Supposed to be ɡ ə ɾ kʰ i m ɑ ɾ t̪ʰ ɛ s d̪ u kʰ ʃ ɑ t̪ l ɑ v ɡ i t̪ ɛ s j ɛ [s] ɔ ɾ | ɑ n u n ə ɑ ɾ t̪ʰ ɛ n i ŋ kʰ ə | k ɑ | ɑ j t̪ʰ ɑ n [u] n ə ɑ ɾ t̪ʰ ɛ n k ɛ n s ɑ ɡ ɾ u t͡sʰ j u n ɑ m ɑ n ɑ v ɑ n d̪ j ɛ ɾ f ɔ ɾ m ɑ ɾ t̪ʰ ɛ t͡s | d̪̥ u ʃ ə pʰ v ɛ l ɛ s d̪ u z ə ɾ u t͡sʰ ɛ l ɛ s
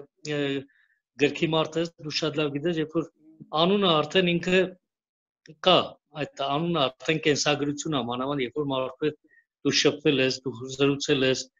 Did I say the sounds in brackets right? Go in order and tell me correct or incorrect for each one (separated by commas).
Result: incorrect, correct